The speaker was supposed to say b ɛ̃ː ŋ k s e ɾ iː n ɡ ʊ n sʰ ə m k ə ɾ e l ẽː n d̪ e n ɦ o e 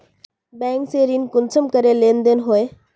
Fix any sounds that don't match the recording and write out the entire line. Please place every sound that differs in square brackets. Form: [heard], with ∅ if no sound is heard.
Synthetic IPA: b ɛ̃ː ŋ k s e ɾ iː n [k] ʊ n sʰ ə m k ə ɾ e l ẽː n d̪ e n ɦ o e